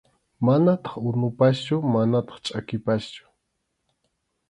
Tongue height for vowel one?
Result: low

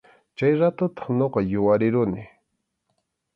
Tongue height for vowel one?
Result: low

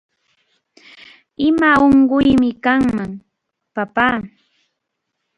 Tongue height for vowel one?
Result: high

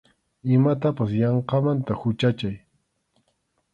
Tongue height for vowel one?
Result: high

